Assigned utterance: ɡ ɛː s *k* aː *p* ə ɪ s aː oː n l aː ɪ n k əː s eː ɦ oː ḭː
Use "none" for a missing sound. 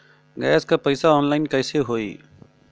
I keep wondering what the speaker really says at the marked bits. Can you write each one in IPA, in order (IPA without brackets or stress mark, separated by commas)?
k, p